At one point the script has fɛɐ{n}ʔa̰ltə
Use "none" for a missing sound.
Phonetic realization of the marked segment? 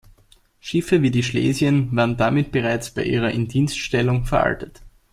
none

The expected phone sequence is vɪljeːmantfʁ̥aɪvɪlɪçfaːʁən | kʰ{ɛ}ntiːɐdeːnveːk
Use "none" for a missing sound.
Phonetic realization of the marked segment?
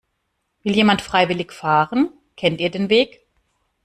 ɛ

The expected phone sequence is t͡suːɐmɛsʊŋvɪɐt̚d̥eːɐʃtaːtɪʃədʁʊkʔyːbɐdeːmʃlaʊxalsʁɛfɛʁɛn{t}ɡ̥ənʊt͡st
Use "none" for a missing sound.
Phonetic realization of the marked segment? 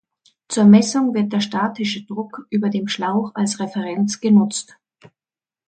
t͡s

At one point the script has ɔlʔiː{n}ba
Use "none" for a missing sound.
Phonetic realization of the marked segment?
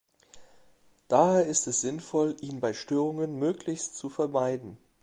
n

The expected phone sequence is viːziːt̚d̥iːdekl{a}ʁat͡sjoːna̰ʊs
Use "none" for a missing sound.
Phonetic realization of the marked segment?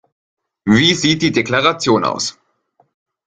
a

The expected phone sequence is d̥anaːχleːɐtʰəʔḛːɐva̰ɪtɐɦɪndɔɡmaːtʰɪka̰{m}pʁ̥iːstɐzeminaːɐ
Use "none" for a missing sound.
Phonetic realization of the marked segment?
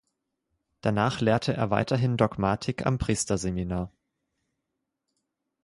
m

